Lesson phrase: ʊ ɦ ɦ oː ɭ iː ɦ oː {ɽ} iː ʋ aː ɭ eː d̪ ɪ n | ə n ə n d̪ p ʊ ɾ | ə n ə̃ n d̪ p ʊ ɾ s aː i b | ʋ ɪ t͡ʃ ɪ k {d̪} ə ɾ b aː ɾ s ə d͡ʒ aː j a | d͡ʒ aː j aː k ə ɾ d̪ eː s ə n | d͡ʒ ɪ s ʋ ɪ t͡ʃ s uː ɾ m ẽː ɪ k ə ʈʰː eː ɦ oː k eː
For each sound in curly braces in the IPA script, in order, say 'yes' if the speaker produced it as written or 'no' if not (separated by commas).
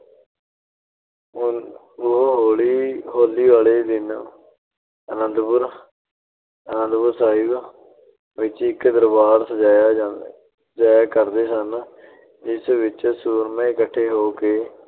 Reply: no, yes